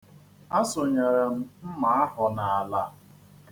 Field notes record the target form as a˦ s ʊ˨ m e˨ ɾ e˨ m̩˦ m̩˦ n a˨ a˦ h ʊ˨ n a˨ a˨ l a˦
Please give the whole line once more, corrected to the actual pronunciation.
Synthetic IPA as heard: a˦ s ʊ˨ ɲ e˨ ɾ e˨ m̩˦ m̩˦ m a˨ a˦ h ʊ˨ n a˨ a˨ l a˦